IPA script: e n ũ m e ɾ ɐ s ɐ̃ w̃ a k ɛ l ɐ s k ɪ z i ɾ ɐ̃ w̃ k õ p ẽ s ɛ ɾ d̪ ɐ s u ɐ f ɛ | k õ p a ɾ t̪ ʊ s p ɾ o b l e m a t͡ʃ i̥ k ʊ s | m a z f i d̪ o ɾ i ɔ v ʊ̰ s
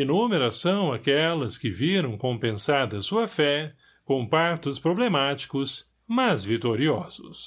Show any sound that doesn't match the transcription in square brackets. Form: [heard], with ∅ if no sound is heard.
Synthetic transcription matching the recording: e n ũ m e ɾ ɐ s ɐ̃ w̃ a k ɛ l ɐ s k ɪ [v] i ɾ ɐ̃ w̃ k õ p ẽ s [a] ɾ d̪ ɐ s u ɐ f ɛ | k õ p a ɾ t̪ ʊ s p ɾ o b l e m a t͡ʃ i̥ k ʊ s | m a z [v] i [t̪] o ɾ i ɔ [z] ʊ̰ s